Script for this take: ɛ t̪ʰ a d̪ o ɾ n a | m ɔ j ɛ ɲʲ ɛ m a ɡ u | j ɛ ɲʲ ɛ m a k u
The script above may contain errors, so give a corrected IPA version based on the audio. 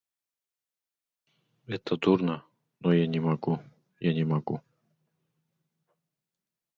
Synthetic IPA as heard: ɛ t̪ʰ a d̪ u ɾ n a | n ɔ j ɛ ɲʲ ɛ m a ɡ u | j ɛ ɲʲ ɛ m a ɡ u